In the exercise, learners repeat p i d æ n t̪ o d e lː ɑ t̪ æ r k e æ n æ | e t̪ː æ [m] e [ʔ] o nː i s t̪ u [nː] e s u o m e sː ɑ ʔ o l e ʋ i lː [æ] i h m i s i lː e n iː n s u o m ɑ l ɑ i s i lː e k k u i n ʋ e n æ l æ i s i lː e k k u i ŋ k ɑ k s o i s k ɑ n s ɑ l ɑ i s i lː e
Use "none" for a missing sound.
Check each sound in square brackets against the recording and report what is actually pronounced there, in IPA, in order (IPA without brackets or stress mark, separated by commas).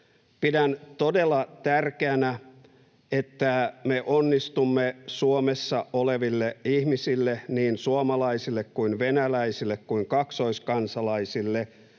m, ʔ, mː, e